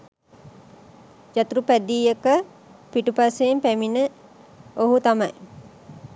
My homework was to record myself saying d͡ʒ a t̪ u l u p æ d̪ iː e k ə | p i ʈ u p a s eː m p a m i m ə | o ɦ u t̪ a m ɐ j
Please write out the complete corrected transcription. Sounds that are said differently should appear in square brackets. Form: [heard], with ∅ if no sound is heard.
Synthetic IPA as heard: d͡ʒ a t̪ u [ɾ] u p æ d̪ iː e k ə | p i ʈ u p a s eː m p [æ] m i [n] ə | o ɦ u t̪ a m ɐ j